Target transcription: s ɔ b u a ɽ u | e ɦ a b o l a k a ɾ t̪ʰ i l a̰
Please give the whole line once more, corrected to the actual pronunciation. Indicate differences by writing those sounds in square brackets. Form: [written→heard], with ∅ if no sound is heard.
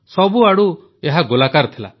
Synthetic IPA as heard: s ɔ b u a ɽ u | e ɦ a [b→ɡ] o l a k a ɾ t̪ʰ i l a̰

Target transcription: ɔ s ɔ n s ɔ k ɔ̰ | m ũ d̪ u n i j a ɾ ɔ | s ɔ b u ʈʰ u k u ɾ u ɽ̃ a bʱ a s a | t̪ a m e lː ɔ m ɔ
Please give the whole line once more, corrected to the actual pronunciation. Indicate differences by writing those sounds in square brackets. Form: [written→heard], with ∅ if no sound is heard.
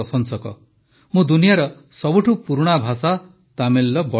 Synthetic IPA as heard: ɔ s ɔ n s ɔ k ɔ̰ | m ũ d̪ u n i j a ɾ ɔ | s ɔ b u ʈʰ u [k→p] u ɾ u ɽ̃ a bʱ a s a | t̪ a m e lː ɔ [m→b] ɔ

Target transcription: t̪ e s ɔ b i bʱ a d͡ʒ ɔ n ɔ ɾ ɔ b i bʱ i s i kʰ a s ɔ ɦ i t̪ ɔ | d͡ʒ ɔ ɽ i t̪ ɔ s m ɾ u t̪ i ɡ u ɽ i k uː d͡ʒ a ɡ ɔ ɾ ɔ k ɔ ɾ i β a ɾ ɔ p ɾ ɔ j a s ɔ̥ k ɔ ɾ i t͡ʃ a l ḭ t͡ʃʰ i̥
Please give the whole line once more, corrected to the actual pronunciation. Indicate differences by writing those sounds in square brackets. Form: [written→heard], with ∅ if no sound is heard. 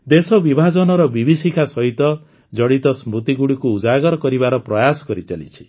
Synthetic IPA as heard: [t̪→d̪] e s ɔ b i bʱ a d͡ʒ ɔ n ɔ ɾ ɔ b i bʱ i s i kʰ a s ɔ ɦ i t̪ ɔ | d͡ʒ ɔ ɽ i t̪ ɔ s m ɾ u t̪ i ɡ u ɽ i k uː d͡ʒ a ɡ ɔ ɾ ɔ k ɔ ɾ i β a ɾ ɔ p ɾ ɔ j a s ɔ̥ k ɔ ɾ i t͡ʃ a l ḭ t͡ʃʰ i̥

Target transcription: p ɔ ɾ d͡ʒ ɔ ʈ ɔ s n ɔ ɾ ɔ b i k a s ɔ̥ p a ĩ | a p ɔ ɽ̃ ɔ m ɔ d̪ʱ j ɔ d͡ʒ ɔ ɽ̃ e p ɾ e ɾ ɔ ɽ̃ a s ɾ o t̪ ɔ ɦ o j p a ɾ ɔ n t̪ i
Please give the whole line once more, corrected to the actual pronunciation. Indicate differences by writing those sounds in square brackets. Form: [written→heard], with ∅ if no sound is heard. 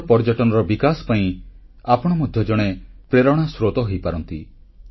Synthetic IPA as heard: p ɔ ɾ d͡ʒ ɔ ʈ ɔ [s→∅] n ɔ ɾ ɔ b i k a s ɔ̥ p a ĩ | a p ɔ ɽ̃ ɔ m ɔ d̪ʱ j ɔ d͡ʒ ɔ ɽ̃ e p ɾ e ɾ ɔ ɽ̃ a s ɾ o t̪ ɔ ɦ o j p a ɾ ɔ n t̪ i

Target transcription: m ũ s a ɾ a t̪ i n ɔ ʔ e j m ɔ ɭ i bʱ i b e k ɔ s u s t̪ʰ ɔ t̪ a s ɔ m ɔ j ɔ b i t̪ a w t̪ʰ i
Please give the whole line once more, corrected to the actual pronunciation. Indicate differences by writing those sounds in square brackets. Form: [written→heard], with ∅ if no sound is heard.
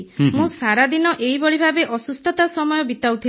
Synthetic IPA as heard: m ũ s a ɾ a [t̪→d̪] i n ɔ ʔ e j [m→b] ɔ ɭ i bʱ [i→a] b e [k→ʔ] ɔ s u s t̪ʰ ɔ t̪ a s ɔ m ɔ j ɔ b i t̪ a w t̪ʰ i

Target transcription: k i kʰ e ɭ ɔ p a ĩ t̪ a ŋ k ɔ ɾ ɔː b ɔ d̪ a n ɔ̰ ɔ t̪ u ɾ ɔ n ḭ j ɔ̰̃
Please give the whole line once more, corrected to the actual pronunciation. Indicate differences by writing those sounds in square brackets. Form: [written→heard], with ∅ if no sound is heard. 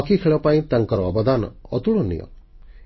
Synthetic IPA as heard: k i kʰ e ɭ ɔ p a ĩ t̪ a ŋ k ɔ ɾ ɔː b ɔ d̪ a n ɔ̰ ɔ t̪ u [ɾ→ɭ] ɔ n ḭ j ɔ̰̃

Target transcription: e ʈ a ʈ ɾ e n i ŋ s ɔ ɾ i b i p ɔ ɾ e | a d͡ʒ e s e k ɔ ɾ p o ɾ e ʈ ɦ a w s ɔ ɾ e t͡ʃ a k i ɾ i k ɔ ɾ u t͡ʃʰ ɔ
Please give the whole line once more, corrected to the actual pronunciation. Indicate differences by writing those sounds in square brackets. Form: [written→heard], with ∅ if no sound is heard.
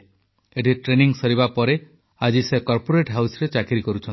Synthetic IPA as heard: e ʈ [a→i] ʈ ɾ e n i ŋ s ɔ ɾ i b [i→a] p ɔ ɾ e | a d͡ʒ [e→i] s e k ɔ ɾ p o ɾ e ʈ ɦ a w s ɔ ɾ e t͡ʃ a k i ɾ i k ɔ ɾ u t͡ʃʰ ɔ

